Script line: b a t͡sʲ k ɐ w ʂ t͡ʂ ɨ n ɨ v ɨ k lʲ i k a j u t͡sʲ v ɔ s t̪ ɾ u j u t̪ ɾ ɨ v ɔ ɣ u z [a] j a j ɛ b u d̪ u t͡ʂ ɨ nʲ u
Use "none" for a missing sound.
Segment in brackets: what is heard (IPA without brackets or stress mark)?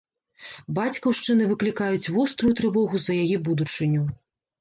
ɐ